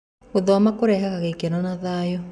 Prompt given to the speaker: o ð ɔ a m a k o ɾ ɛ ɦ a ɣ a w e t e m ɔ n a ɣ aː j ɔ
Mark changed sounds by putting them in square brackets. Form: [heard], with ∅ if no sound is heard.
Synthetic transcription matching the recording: o ð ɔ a m a k o ɾ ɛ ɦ a ɣ a [ɣ] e [k] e [n] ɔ n a [ð] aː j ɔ

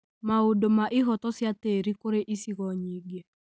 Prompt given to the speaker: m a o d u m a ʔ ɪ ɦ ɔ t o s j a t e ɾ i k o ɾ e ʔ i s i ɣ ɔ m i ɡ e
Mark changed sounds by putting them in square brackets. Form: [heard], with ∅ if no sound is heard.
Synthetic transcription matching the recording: m a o d [o] m a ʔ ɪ ɦ ɔ t [ɔ] s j a t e ɾ i k o ɾ e ʔ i s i ɣ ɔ [ɲ] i ɡ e

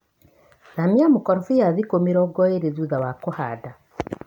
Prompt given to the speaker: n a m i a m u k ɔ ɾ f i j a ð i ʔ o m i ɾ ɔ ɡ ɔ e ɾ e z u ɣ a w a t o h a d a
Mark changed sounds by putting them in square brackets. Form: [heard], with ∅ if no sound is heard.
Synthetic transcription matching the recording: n a m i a m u k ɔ ɾ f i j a ð i [k] o m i ɾ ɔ ɡ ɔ e ɾ e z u [ð] a w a [k] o h a d a

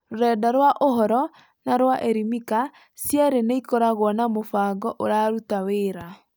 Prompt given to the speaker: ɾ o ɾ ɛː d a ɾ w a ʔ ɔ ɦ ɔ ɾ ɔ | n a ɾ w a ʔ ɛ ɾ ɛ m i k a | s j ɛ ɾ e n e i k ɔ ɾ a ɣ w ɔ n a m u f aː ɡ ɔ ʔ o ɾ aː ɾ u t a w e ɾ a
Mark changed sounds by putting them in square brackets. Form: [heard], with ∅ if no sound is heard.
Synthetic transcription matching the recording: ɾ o ɾ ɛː d a ɾ w a ʔ [o] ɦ ɔ ɾ ɔ | n a ɾ w a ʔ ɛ ɾ [i] m i k a | s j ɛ ɾ e n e i k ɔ ɾ a ɣ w ɔ n a m [o] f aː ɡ ɔ ʔ o ɾ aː ɾ u t a w e ɾ a

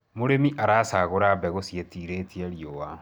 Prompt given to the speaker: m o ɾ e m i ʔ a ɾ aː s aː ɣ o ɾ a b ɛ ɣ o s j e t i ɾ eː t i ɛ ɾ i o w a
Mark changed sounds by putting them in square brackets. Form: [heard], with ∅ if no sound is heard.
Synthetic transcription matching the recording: m o ɾ e m i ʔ a ɾ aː s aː ɣ o ɾ a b ɛ ɣ o s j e t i ɾ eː t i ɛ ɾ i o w a

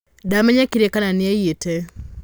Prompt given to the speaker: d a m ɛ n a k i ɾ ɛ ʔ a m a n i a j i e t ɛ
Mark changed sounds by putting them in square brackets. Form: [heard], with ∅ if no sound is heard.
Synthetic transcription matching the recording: d a m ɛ [ɲ] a k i ɾ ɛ [k] a [n] a n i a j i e t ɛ

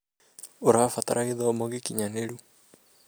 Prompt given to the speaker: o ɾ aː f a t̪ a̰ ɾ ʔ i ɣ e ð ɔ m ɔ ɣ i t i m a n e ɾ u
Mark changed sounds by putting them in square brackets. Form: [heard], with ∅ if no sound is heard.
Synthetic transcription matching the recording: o ɾ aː f a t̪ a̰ ɾ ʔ [a] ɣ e ð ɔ m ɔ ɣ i [k] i [ɲ] a n e ɾ u

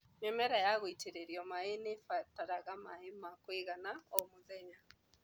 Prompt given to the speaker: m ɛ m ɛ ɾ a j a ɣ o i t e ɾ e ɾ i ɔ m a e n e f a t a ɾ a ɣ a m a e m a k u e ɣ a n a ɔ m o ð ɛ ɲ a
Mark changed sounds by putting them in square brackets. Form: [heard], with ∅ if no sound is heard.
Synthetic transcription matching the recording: m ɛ m ɛ ɾ a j a ɣ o i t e ɾ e ɾ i ɔ m a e n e f a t a ɾ a ɣ a m a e m a k [w] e ɣ a n a ɔ m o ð ɛ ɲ a

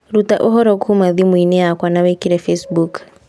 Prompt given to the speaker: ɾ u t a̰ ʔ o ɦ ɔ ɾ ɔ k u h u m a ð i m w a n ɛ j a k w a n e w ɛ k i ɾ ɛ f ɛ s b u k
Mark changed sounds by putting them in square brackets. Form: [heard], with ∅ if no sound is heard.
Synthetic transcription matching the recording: ɾ u t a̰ ʔ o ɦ ɔ ɾ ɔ k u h u m a ð i m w [i] n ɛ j a k w a n [a] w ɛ k i ɾ ɛ f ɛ s b u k

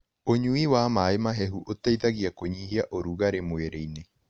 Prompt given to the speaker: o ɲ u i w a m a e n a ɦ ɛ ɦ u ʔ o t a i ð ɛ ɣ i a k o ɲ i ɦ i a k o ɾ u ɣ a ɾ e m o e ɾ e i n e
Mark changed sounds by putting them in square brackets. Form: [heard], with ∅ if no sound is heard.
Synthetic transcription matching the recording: o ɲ u i w a m a e [m] a ɦ ɛ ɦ u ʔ o t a i ð [a] ɣ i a k o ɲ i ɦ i a [ʔ] o ɾ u ɣ a ɾ e m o e ɾ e i n e

